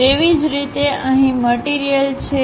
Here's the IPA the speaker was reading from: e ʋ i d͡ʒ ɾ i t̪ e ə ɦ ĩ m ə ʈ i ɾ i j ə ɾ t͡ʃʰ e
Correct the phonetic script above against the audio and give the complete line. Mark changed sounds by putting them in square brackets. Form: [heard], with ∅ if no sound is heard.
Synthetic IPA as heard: e ʋ i d͡ʒ ɾ i t̪ e ə ɦ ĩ m ə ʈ i ɾ i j ə [l] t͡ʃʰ e